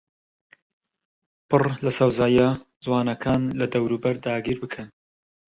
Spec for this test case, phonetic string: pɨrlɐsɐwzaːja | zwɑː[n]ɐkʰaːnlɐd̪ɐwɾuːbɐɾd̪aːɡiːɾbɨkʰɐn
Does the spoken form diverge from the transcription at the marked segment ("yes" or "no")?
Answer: no